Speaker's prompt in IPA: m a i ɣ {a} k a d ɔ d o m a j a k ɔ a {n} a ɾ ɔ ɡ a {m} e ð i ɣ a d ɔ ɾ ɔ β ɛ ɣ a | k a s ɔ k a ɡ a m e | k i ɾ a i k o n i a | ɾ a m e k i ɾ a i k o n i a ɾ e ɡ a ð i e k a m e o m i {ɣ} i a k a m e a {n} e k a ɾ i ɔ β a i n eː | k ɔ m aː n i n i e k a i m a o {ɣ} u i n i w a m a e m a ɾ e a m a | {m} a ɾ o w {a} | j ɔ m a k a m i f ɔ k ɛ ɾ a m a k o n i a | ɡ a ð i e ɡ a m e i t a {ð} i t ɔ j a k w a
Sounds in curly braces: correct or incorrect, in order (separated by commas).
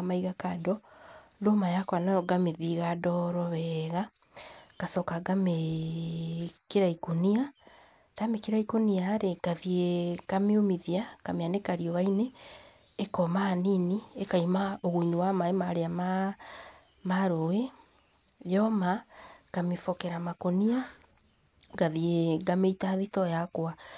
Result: correct, correct, correct, incorrect, correct, correct, correct, incorrect, correct